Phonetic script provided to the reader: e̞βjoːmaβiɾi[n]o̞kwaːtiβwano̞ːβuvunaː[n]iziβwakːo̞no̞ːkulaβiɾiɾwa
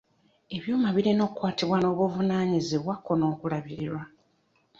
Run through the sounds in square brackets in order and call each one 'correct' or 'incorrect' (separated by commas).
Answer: correct, incorrect